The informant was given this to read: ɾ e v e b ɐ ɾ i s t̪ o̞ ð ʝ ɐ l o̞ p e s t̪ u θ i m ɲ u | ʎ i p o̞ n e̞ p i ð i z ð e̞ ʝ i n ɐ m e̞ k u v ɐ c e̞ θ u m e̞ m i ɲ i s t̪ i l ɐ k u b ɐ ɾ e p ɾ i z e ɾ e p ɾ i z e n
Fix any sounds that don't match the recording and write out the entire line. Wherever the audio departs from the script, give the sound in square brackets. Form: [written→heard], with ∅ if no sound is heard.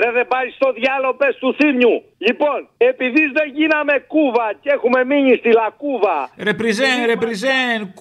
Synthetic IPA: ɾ e [v→ð] e b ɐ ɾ i s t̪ o̞ ð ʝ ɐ l o̞ p e s t̪ u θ i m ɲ u | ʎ i p o̞ n e̞ p i ð i z ð e̞ ʝ i n ɐ m e̞ k u v ɐ c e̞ [θ→x] u m e̞ m i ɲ i s t̪ i l ɐ k u [b→v] ɐ ɾ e p ɾ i z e ɾ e p ɾ i z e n